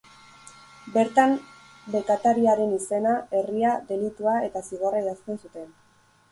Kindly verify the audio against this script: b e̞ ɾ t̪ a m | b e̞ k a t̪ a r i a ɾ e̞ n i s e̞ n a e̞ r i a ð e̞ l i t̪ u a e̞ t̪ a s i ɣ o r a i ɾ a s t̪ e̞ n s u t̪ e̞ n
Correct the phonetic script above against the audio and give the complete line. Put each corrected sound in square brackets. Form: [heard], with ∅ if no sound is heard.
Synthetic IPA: b e̞ ɾ t̪ a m | b e̞ k a t̪ a [ɾ] i a ɾ e̞ n i s e̞ n a e̞ r i a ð e̞ l i t̪ u a e̞ t̪ a s i ɣ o r a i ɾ a s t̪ e̞ n s u t̪ e̞ n